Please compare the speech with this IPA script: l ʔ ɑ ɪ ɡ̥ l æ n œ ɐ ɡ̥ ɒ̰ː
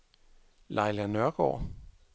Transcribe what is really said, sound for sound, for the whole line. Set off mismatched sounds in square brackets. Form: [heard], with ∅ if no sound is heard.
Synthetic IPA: l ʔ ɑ ɪ [∅] l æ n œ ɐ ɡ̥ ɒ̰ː